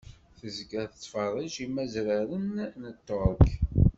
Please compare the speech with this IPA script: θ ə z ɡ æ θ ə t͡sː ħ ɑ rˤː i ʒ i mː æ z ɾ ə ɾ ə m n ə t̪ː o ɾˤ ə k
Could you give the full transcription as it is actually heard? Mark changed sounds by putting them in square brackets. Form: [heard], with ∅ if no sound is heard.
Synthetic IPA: θ ə z ɡ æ θ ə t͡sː [f] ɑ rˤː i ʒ i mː æ z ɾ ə ɾ ə [n] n ə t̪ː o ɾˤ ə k